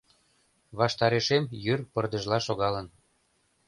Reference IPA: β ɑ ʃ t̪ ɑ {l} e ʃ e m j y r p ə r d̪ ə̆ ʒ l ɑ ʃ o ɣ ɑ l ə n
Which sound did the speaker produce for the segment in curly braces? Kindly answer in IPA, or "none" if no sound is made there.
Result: ɾ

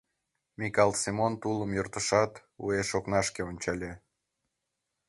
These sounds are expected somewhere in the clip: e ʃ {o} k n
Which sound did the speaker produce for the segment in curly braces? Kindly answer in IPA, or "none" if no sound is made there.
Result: o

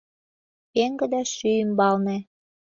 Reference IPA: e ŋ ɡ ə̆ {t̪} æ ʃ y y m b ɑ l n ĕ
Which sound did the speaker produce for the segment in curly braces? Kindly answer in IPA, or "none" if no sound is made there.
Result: d̪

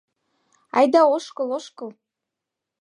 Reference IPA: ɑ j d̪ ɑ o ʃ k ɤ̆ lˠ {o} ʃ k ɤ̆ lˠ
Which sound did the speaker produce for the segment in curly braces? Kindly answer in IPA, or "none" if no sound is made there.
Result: o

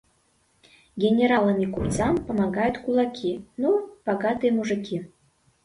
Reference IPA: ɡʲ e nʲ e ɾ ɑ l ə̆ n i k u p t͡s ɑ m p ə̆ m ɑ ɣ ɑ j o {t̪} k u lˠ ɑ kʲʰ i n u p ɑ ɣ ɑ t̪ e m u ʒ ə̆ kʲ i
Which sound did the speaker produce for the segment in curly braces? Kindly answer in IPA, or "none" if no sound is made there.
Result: t̪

